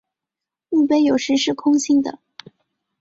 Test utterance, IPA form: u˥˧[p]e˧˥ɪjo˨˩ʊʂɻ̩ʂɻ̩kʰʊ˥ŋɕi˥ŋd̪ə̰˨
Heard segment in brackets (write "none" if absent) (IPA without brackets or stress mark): p